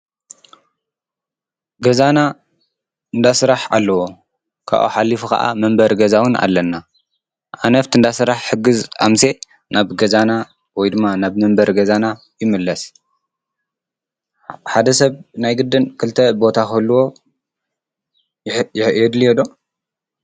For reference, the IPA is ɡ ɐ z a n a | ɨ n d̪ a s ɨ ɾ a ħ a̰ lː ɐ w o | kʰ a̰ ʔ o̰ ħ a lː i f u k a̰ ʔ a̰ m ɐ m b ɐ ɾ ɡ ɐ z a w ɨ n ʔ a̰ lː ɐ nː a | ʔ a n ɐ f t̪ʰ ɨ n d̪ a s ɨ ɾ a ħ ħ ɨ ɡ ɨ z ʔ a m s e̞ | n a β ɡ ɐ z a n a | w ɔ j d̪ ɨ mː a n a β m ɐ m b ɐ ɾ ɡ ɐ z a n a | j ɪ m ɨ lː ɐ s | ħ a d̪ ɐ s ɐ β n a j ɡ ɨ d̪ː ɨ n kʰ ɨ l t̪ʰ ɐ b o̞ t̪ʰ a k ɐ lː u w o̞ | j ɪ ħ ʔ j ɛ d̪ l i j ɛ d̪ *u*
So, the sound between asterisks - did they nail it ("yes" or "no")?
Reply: no